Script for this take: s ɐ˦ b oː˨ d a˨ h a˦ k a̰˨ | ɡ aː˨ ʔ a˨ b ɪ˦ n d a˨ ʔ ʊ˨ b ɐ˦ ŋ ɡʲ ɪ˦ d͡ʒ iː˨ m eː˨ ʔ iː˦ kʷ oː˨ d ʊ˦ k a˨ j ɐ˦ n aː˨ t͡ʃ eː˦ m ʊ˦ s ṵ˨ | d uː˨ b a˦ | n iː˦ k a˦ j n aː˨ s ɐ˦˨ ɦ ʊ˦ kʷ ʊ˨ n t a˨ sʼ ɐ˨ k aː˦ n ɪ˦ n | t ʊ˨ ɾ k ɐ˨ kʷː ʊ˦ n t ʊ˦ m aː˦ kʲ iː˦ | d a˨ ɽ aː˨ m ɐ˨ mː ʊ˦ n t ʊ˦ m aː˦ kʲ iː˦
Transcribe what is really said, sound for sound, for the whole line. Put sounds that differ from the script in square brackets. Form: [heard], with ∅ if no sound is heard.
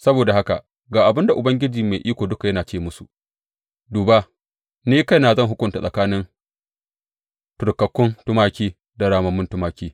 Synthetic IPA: s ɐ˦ b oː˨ d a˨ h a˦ k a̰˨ | ɡ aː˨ ʔ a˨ b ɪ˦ n d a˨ ʔ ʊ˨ b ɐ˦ ŋ ɡʲ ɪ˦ d͡ʒ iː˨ m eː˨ ʔ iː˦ kʷ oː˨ d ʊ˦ k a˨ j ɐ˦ n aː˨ t͡ʃ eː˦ m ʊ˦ s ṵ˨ | d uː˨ b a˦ | n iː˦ k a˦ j n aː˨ [z] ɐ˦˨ ɦ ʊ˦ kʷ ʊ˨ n t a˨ sʼ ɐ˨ k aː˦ n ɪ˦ n | t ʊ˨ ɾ k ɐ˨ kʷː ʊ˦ n t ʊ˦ m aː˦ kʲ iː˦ | d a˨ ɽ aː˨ m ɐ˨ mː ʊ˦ n t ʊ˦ m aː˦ kʲ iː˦